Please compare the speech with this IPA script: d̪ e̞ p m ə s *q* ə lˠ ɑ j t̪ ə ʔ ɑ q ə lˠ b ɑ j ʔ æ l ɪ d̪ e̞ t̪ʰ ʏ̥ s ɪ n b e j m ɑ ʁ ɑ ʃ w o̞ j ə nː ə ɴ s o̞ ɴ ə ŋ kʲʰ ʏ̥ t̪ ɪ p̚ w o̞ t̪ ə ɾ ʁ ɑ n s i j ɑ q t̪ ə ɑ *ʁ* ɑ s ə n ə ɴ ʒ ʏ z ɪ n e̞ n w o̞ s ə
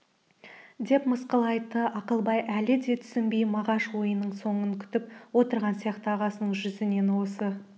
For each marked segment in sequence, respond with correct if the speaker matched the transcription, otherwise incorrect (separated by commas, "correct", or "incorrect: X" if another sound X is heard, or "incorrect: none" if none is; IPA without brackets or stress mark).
correct, correct